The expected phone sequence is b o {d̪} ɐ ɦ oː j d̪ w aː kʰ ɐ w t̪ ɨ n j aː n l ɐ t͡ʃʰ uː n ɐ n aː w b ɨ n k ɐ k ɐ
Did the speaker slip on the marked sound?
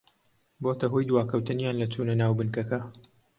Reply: yes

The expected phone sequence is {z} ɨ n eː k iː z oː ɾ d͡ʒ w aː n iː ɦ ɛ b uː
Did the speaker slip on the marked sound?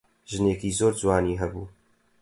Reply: yes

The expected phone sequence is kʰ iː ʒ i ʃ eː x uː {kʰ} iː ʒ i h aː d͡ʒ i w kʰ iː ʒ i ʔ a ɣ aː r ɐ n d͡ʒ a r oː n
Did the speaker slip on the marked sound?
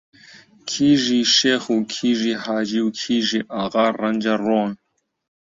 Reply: no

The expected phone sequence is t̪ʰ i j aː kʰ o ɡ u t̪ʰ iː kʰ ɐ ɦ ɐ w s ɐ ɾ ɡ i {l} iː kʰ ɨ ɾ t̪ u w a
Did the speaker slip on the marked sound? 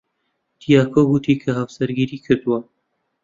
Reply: yes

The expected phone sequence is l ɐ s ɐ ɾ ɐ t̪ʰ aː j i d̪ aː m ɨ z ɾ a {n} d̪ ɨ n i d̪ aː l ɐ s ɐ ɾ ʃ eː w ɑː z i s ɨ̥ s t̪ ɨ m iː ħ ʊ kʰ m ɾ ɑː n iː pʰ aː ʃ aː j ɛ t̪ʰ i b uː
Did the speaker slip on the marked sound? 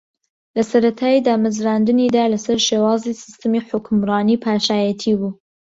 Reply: no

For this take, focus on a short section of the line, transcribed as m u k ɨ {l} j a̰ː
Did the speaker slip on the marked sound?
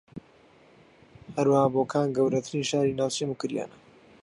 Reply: yes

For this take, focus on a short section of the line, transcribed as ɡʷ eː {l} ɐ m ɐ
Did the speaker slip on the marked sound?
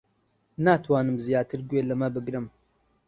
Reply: no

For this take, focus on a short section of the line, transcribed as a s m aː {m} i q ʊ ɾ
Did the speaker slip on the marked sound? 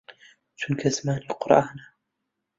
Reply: yes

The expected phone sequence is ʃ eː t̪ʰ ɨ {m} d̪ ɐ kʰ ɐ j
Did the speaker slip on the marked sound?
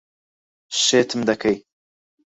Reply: no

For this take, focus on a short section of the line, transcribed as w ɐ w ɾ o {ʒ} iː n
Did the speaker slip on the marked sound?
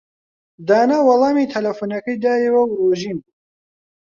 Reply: no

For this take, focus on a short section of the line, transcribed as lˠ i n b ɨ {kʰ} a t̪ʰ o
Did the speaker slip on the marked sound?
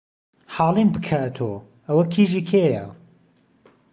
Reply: no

